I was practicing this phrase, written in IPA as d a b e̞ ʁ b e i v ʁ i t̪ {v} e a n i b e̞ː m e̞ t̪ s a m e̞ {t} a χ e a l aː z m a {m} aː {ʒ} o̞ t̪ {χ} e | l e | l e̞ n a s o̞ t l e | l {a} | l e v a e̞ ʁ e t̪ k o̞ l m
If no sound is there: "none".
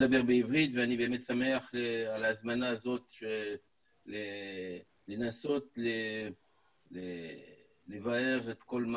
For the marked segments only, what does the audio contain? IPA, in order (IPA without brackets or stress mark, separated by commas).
v, none, n, z, ʃ, e